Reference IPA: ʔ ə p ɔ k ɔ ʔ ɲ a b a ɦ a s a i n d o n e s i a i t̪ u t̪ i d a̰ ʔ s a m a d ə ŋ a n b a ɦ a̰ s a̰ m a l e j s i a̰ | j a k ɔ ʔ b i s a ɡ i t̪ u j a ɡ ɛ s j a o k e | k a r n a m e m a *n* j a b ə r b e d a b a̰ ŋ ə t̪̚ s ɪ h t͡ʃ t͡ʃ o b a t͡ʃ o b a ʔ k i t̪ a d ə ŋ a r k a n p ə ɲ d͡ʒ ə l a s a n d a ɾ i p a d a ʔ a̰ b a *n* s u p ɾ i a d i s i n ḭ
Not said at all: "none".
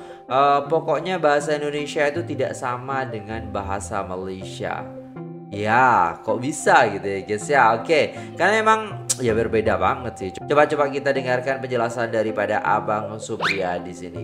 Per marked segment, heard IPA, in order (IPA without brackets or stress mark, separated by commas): ŋ, ŋ